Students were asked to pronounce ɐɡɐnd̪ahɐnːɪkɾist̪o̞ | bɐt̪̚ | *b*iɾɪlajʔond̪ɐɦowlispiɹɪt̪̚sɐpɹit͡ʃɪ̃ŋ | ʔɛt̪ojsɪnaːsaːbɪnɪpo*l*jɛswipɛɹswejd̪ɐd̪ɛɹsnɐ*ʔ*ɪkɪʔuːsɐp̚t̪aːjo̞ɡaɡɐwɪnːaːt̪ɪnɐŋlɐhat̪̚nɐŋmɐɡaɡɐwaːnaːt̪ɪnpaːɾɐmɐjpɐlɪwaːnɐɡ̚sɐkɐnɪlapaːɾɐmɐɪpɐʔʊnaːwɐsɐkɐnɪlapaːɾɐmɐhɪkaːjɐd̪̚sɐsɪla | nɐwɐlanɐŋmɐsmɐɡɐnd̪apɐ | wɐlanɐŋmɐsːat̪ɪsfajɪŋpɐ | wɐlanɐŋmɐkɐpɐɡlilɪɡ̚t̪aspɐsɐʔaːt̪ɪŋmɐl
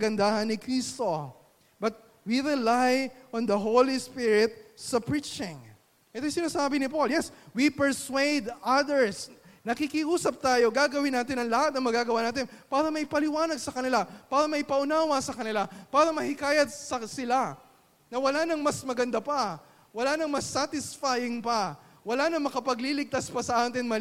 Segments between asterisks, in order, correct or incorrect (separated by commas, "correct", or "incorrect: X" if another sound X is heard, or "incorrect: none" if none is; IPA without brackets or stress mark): incorrect: w, correct, incorrect: k